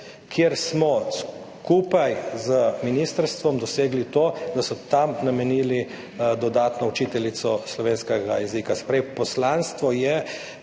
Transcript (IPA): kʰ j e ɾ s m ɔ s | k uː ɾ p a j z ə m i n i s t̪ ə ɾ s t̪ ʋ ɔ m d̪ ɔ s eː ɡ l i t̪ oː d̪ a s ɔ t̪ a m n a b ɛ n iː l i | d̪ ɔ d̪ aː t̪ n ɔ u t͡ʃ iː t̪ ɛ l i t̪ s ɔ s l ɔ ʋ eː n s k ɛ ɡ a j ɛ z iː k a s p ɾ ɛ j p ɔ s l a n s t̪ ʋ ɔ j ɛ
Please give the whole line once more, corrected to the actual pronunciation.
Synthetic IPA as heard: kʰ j e ɾ s m ɔ s | k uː p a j z ə m i n i s t̪ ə ɾ s t̪ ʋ ɔ m d̪ ɔ s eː ɡ l i t̪ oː d̪ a s ɔ t̪ a m n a m ɛ n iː l i | d̪ ɔ d̪ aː t̪ n ɔ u t͡ʃ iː t̪ ɛ l i t̪ s ɔ s l ɔ ʋ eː n s k ɛ ɡ a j ɛ z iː k a s p ɾ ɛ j p ɔ s l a n s t̪ ʋ ɔ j ɛ